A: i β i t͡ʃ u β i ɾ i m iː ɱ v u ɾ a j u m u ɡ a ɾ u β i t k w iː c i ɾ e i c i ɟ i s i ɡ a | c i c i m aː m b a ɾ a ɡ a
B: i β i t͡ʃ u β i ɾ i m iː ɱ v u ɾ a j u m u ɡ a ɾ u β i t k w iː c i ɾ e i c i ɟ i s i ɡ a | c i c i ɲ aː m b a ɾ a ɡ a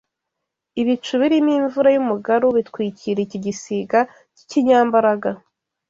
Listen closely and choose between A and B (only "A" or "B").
B